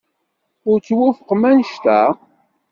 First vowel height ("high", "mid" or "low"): high